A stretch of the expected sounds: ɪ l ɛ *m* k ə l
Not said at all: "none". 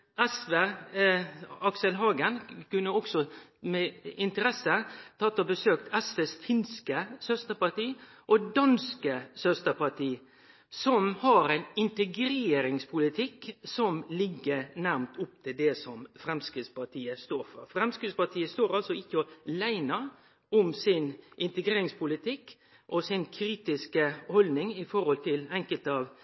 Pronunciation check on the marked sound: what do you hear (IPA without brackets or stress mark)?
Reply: ŋ